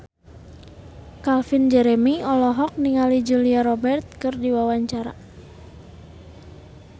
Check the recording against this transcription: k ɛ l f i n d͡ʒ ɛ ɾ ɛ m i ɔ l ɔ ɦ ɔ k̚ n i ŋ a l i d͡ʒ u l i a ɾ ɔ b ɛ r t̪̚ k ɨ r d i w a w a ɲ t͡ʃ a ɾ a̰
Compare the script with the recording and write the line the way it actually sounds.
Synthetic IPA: k a l f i n d͡ʒ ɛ ɾ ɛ m i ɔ l ɔ ɦ ɔ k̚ n i ŋ a l i d͡ʒ u l i a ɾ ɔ b ɛ r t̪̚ k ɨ r d i w a w a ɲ t͡ʃ a ɾ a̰